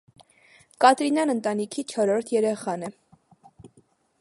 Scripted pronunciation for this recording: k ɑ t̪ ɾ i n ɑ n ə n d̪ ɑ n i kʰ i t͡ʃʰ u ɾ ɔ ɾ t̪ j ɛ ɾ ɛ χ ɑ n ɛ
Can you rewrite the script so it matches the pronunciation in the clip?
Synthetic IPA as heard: k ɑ t̪ ɾ i n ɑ n ə n t̪ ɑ n i kʰ i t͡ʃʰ ɔ ɾ ɔ ɾ t̪ʰ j ɛ ɾ ɛ χ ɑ n ɛ

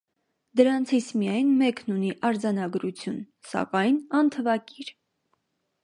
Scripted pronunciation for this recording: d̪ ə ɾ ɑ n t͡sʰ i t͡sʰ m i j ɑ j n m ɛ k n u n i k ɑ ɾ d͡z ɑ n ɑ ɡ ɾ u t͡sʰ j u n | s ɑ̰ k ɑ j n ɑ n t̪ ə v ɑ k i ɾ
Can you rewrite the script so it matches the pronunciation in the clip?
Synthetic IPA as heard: d̪ ə ɾ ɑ n t͡sʰ i t͡sʰ m i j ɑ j n m ɛ k n u n i ʔ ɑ ɾ d͡z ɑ n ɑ ɡ ɾ u t͡sʰ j u n | s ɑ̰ k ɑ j n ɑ n t̪ʰ ə v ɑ k i ɾ

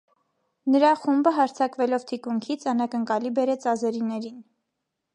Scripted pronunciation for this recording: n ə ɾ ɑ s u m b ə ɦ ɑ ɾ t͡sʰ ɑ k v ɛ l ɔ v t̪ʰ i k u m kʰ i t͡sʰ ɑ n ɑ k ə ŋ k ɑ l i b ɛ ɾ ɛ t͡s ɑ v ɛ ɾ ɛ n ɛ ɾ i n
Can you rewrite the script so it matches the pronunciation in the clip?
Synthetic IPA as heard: n ə ɾ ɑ χ u m b ə ɦ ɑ ɾ t͡sʰ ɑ k v ɛ l ɔ v t̪ʰ i k u ŋ kʰ i t͡sʰ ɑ n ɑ k ə ŋ k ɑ l i b ɛ ɾ ɛ t͡s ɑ z ɛ ɾ i n ɛ ɾ i n

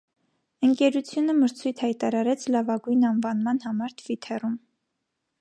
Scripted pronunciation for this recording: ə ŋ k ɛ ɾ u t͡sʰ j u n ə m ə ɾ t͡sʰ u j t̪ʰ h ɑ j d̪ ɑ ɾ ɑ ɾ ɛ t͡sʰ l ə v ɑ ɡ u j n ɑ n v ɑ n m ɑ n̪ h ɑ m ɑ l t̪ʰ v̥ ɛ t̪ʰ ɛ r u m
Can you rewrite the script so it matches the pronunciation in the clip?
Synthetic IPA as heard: ə ŋ k ɛ ɾ u t͡sʰ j u n ə m ə ɾ t͡sʰ u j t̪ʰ h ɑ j t̪ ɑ ɾ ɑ ɾ ɛ t͡sʰ l ɑ v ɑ ɡ u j n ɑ n v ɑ n m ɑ n̪ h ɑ m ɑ ɾ t̪ʰ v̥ i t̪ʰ ɛ r u m

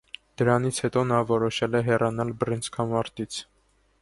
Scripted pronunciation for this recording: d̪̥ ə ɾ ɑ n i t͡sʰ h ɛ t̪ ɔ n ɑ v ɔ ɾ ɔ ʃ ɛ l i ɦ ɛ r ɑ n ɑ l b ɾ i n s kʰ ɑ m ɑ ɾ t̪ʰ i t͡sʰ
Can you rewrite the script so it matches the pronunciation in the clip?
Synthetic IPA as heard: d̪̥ ə ɾ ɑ n i t͡sʰ h ɛ t̪ ɔ n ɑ v ɔ ɾ ɔ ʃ ɛ l ɛ ɦ ɛ r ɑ n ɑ l b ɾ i n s kʰ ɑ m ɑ ɾ t̪ i t͡sʰ

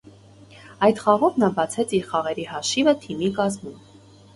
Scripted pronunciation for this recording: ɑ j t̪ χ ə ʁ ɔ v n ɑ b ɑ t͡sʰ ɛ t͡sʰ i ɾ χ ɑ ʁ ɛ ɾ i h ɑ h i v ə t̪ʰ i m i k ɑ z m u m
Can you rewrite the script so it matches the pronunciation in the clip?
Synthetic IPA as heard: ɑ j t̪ χ ɑ ʁ ɔ v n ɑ b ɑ t͡sʰ ɛ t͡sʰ i ɾ χ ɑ ʁ ɛ ɾ i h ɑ ʃ i v ə t̪ʰ i m i k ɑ z m u m

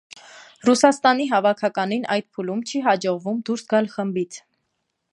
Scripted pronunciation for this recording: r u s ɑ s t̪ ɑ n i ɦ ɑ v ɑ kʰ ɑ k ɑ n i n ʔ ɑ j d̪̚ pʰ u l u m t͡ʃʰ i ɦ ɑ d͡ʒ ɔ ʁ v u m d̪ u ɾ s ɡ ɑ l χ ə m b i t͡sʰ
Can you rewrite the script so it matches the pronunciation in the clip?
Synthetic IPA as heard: r u s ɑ s t̪ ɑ n i ɦ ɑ v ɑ kʰ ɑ k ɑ n i n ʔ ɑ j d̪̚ pʰ u l u m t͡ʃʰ i ɦ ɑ d͡ʒ ɔ ʁ v u m d̪ u ɾ s ɡ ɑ l χ ə m b i t͡sʰ

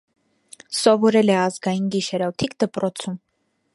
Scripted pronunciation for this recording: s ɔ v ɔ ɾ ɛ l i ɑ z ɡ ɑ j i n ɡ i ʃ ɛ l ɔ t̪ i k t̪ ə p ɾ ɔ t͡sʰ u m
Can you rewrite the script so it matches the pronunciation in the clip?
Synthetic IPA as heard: s ɔ v ɔ ɾ ɛ l ɛ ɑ z ɡ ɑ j i n ɡ i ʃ ɛ ɾ ɔ t̪ʰ i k d̪ ə p ɾ ɔ t͡sʰ u m

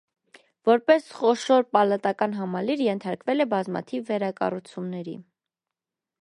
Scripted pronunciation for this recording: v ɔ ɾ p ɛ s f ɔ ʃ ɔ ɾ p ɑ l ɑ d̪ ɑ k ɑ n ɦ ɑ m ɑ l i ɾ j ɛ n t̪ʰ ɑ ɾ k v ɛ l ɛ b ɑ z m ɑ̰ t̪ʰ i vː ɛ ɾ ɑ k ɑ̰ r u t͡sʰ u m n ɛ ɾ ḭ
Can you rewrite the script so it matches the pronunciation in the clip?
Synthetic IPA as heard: v ɔ ɾ p ɛ s χ ɔ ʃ ɔ ɾ p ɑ l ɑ t̪ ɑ k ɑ n ɦ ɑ m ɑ l i ɾ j ɛ n t̪ʰ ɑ ɾ k v ɛ l ɛ b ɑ z m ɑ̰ t̪ʰ i vː ɛ ɾ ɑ k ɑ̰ r u t͡sʰ u m n ɛ ɾ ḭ

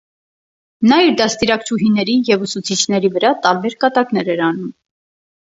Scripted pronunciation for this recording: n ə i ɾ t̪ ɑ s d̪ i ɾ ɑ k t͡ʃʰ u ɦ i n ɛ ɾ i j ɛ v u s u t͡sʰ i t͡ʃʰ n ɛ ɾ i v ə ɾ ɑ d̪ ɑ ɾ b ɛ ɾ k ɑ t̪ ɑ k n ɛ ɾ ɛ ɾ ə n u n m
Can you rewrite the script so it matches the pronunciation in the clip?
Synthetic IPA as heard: n ɑ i ɾ d̪ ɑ s t̪ i ɾ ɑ k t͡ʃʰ u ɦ i n ɛ ɾ i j ɛ v u s u t͡sʰ i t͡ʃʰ n ɛ ɾ i v ə ɾ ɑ t̪ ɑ ɾ b ɛ ɾ k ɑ t̪ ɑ k n ɛ ɾ ɛ ɾ ɑ n u m

